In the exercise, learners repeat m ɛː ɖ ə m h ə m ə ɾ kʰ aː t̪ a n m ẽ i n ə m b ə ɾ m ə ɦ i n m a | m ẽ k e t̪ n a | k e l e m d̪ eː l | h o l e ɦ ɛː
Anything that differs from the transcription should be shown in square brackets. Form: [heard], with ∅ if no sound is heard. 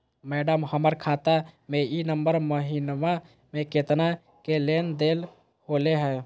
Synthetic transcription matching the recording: m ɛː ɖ ə m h ə m ə ɾ kʰ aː t̪ a [∅] m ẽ i n ə m b ə ɾ m ə ɦ i n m a | m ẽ k e t̪ n a | k e l e [n] d̪ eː l | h o l e ɦ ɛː